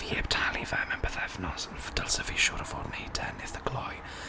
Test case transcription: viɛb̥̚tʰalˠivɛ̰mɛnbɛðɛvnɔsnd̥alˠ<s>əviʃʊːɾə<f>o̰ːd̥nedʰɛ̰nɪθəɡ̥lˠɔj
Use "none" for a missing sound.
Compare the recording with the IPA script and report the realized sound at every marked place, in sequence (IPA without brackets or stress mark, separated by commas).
s, v